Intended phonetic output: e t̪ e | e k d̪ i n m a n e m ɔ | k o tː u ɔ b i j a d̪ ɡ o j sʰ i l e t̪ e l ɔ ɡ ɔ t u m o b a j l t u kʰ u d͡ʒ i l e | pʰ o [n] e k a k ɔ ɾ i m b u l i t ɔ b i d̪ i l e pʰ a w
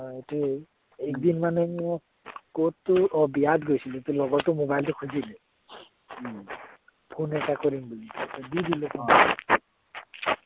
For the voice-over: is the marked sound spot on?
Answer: yes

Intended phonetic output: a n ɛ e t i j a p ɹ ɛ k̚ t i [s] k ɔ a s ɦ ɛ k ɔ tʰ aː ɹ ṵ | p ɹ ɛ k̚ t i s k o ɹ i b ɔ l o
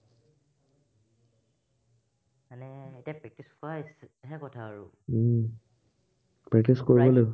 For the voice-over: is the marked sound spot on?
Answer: yes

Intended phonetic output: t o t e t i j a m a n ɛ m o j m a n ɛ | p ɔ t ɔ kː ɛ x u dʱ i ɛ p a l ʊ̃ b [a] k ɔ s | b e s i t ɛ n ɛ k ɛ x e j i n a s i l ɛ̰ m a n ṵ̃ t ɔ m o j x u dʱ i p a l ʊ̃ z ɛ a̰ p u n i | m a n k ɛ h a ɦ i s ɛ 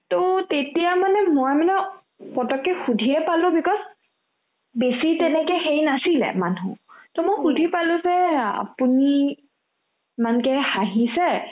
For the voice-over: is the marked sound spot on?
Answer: no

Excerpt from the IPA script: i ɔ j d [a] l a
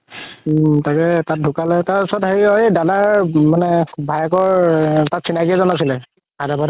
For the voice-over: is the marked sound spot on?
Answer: yes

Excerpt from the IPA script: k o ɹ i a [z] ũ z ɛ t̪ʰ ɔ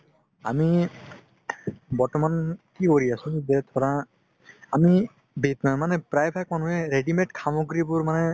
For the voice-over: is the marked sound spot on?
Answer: no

